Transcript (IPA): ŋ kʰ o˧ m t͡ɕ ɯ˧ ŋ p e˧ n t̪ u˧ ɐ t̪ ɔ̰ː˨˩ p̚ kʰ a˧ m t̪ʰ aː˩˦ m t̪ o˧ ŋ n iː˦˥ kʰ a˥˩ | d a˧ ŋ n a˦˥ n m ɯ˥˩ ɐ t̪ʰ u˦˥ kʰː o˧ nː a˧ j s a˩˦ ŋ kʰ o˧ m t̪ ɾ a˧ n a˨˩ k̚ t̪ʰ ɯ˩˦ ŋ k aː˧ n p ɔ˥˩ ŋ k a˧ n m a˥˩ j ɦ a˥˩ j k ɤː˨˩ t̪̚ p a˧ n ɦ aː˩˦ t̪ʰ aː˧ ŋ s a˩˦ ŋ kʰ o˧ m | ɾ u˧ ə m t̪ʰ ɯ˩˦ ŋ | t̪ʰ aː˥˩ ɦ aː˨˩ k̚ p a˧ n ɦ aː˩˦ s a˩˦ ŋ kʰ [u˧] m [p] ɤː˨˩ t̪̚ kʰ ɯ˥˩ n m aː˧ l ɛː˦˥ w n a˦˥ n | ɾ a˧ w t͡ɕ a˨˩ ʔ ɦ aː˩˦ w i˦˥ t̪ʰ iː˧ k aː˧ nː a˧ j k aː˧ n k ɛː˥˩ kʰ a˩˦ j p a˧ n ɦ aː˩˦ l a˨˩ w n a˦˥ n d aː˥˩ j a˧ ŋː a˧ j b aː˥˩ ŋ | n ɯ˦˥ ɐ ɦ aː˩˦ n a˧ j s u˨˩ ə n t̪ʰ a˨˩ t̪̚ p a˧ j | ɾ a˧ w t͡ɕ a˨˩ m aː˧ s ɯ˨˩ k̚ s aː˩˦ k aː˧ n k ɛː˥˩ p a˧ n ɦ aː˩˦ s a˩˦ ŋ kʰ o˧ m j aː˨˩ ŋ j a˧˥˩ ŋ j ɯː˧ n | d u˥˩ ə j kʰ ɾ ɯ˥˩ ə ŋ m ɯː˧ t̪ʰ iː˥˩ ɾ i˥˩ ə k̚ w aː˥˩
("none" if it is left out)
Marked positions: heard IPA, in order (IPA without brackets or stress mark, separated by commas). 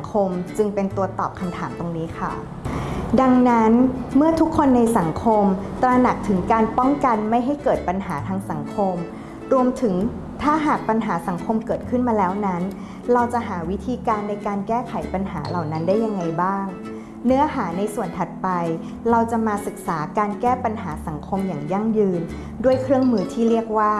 o˧, k